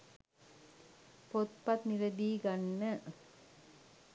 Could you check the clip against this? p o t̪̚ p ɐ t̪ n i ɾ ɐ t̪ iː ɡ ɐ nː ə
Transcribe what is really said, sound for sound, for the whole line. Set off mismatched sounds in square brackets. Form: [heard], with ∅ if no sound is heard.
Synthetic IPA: p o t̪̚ p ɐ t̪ n i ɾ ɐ [d̪] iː ɡ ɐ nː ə